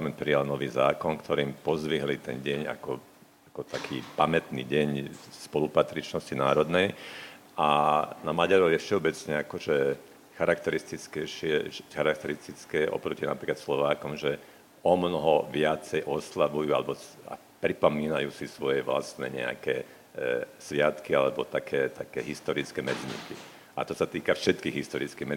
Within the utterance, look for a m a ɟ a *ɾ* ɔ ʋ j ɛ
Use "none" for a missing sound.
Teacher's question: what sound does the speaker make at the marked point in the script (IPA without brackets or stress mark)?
ɾ